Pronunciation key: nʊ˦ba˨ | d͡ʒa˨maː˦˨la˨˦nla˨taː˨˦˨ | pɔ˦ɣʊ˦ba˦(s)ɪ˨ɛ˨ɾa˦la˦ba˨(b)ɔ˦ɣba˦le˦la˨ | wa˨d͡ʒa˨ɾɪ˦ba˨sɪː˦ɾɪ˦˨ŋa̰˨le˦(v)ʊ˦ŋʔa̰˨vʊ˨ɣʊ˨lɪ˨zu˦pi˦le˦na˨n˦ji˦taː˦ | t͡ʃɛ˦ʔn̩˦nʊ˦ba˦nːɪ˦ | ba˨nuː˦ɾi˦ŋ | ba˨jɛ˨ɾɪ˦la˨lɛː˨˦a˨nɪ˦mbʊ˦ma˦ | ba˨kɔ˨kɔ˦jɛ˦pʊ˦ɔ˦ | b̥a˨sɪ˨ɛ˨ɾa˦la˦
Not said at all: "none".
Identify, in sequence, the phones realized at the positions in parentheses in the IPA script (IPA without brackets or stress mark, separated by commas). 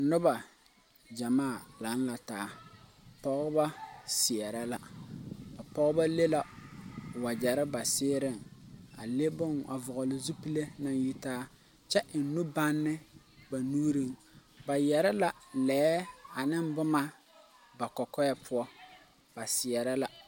s, p, b